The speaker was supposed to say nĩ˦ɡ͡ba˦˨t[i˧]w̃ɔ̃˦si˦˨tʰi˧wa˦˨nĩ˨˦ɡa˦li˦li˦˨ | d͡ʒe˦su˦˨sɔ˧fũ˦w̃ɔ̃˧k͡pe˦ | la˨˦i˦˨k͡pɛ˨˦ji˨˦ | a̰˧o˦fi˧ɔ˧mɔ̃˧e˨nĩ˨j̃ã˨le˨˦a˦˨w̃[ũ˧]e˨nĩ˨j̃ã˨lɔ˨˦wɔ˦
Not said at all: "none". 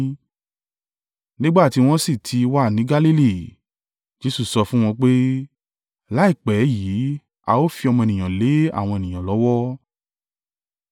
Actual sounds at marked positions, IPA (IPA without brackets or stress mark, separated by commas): i˧, ɔ̃˧